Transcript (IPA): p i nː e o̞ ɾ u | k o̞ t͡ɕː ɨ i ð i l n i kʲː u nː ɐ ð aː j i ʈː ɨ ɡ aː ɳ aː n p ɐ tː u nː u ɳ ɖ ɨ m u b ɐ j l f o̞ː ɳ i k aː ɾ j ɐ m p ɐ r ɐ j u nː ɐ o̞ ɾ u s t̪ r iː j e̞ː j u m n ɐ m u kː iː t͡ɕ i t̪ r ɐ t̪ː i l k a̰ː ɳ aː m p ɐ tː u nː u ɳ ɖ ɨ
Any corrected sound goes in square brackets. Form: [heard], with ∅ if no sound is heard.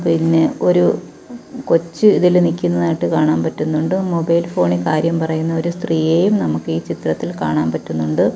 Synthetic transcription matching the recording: p i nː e o̞ ɾ u | k o̞ t͡ɕː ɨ i ð i l n i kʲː u nː ɐ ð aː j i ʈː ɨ [k] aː ɳ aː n p ɐ tː u nː u ɳ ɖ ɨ m [o] b ɐ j l f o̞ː ɳ i k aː ɾ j ɐ m p ɐ r ɐ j u nː ɐ o̞ ɾ u s t̪ r iː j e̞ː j u m n ɐ m u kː iː t͡ɕ i t̪ r ɐ t̪ː i l k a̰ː ɳ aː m p ɐ tː u nː u ɳ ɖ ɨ